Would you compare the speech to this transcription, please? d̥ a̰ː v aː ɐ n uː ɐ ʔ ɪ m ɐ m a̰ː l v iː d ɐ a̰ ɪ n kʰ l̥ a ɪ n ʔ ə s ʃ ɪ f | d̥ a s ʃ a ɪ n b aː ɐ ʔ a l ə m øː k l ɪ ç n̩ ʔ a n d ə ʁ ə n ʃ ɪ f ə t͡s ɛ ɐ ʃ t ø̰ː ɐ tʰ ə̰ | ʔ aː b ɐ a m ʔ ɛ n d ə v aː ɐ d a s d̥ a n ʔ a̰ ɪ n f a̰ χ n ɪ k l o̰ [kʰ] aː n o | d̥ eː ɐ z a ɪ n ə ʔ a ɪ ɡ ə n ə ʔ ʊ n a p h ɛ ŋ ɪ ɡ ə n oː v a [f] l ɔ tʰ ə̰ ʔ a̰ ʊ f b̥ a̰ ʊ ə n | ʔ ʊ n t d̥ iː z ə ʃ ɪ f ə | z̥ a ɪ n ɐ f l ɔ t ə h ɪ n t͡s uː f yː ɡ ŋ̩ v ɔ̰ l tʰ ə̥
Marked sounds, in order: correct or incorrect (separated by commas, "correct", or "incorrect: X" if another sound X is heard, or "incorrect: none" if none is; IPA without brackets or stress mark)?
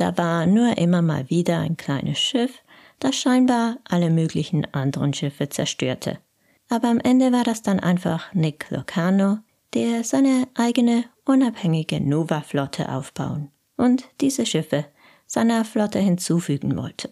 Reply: correct, correct